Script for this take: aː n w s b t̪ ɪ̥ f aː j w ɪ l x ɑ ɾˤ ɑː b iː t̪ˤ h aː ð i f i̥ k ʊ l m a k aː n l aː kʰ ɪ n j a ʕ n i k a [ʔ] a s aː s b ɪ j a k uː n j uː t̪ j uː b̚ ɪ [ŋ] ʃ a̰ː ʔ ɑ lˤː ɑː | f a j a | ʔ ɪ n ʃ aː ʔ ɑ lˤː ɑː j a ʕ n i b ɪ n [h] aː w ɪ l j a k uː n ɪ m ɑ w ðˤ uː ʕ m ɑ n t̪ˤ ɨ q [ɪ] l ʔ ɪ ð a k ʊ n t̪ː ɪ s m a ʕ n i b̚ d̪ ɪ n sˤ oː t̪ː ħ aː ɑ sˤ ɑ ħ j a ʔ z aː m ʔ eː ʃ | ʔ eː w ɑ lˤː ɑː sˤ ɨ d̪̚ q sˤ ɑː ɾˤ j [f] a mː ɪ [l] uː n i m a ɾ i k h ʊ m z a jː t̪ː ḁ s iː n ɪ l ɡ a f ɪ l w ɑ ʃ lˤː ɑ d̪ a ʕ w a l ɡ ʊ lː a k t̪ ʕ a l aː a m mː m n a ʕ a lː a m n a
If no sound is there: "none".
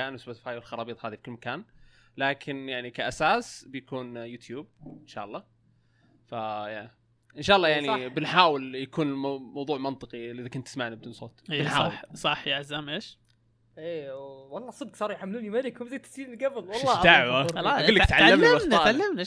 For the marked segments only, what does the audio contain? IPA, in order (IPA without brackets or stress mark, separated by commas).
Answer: ʔ, n, ħ, i, ħ, l